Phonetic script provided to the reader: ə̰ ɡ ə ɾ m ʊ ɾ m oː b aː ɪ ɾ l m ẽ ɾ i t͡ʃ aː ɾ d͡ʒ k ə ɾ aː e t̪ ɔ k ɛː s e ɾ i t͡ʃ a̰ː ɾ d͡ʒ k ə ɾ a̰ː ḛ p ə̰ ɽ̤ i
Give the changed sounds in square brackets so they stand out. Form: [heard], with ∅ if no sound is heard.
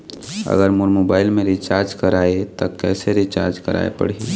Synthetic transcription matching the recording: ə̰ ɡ ə ɾ m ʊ ɾ m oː b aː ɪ [∅] l m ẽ ɾ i t͡ʃ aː ɾ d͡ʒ k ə ɾ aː e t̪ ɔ k ɛː s e ɾ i t͡ʃ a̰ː ɾ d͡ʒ k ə ɾ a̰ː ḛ p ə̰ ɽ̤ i

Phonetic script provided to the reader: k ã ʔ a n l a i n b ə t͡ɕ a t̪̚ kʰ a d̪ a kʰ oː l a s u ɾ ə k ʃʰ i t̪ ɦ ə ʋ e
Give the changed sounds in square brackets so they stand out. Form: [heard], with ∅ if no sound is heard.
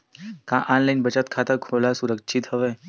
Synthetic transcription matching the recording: k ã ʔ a n l a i n b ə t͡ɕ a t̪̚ kʰ a [t̪] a kʰ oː l a s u ɾ ə k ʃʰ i t̪ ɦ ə ʋ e

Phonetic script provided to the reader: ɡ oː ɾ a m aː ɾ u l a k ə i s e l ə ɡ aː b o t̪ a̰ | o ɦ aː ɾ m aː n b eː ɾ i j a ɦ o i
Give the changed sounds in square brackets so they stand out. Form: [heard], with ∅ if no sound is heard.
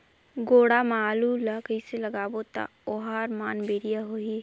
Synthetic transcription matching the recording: ɡ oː [ɽ] a m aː [l] u l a k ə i s e l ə ɡ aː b o t̪ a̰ | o ɦ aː ɾ m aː n b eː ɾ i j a ɦ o i

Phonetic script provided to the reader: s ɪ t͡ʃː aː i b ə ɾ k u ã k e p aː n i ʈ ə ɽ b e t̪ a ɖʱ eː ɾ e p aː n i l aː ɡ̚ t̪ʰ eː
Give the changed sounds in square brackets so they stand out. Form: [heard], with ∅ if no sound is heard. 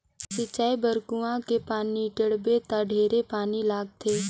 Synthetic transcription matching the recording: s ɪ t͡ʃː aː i b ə ɾ k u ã k e p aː n i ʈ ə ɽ b e t̪ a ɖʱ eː ɾ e p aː n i l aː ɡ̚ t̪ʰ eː

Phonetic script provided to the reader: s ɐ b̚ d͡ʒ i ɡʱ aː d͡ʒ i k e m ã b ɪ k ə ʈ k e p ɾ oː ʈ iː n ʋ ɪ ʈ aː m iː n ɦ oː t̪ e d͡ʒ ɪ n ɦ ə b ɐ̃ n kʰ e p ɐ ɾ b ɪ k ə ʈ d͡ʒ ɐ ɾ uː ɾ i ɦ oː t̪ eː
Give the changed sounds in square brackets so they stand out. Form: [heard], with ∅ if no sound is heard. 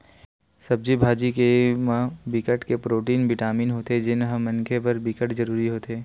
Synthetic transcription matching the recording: s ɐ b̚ d͡ʒ i [bʱ] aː d͡ʒ i k e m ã b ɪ k ə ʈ k e p ɾ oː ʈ iː n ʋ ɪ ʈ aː m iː n ɦ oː t̪ e d͡ʒ ɪ n ɦ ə [m] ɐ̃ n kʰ e p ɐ ɾ b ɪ k ə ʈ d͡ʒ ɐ ɾ uː ɾ i ɦ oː t̪ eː

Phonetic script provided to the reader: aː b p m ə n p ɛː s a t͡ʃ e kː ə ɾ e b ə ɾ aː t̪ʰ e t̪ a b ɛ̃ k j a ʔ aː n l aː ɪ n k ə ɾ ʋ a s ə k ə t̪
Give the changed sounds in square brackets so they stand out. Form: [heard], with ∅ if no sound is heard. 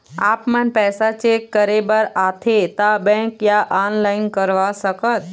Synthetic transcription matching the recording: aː [∅] p m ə n p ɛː s a t͡ʃ e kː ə ɾ e b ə ɾ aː t̪ʰ e t̪ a b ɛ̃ k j a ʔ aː n l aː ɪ n k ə ɾ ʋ a s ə k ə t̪

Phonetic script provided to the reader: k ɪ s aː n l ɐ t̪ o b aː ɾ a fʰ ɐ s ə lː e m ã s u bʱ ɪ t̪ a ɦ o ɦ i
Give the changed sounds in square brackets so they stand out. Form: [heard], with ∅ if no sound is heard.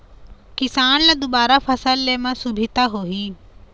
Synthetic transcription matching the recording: k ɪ s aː n l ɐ [d̪] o b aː ɾ a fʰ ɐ s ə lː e m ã s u bʱ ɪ t̪ a ɦ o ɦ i

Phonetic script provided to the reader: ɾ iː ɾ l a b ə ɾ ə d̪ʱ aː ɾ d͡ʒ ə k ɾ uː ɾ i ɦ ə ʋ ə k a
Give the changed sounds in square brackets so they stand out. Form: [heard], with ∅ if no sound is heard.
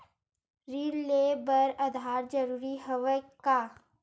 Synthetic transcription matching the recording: ɾ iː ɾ l [e] b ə ɾ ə d̪ʱ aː ɾ d͡ʒ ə [∅] ɾ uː ɾ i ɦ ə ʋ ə k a

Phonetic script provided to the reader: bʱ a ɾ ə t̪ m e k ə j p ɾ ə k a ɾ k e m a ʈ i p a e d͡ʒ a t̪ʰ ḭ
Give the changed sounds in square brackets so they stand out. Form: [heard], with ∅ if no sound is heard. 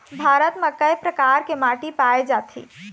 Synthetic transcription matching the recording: bʱ a ɾ ə t̪ m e k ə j p ɾ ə k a ɾ k e m a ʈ i p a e d͡ʒ a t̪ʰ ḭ

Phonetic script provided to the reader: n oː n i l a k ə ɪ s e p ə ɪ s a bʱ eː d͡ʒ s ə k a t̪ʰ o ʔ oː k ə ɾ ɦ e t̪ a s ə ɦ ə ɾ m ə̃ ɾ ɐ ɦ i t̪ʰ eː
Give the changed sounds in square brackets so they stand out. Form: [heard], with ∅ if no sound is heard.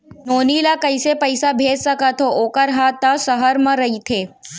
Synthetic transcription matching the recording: n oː n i l a k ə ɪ s e p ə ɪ s a bʱ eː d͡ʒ s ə k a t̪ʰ o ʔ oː k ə ɾ ɦ [a] t̪ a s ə ɦ ə ɾ m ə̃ ɾ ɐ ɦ i t̪ʰ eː

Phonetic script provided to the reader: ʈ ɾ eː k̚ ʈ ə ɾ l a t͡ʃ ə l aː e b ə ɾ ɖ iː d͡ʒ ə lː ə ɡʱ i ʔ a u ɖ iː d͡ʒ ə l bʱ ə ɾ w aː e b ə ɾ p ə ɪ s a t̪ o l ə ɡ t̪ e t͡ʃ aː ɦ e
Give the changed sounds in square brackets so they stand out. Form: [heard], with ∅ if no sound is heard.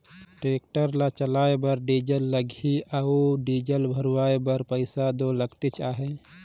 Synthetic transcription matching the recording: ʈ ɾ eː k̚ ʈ ə ɾ l a t͡ʃ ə l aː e b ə ɾ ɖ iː d͡ʒ ə lː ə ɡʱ i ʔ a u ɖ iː d͡ʒ ə l bʱ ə ɾ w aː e b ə ɾ p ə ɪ s a [d̪] o l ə ɡ t̪ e t͡ʃ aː ɦ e

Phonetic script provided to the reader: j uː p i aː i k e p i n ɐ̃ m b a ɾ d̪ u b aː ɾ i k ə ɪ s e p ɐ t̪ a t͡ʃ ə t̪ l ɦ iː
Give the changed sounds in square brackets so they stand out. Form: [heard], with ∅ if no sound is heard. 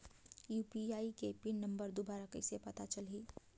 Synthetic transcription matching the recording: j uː p i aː i k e p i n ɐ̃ m b [ə] ɾ d̪ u b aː ɾ [a] k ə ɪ s e p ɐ t̪ a t͡ʃ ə [∅] l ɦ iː

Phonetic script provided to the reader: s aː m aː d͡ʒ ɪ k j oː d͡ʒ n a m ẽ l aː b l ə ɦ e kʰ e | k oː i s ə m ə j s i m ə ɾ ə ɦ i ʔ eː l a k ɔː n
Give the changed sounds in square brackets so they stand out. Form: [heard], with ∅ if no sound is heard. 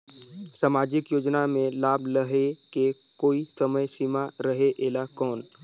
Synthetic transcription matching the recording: s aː m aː d͡ʒ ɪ k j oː d͡ʒ n a m ẽ l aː b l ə ɦ e [k] e | k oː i s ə m ə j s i m [a] ɾ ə ɦ [e] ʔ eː l a k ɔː n

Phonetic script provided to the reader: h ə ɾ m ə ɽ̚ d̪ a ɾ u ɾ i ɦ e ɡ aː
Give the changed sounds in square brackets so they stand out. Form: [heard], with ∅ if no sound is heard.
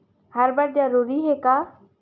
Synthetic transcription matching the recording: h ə ɾ [b] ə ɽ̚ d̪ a ɾ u ɾ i ɦ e [k] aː

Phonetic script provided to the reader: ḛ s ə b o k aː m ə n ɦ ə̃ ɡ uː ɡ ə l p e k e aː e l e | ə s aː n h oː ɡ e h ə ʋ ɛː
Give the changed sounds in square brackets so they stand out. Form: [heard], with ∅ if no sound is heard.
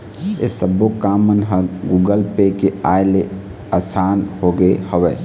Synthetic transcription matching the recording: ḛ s ə b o k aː m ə n ɦ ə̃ ɡ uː ɡ ə l p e k e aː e l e | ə s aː n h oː ɡ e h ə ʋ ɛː

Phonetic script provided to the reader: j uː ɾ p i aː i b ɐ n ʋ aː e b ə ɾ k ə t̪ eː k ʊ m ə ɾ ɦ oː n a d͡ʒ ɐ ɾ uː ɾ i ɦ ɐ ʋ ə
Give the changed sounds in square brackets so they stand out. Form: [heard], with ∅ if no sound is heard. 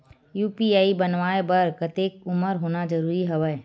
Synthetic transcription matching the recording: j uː [∅] p i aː i b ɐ n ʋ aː e b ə ɾ k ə t̪ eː k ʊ m ə ɾ ɦ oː n a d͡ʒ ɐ ɾ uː ɾ i ɦ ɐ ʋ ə

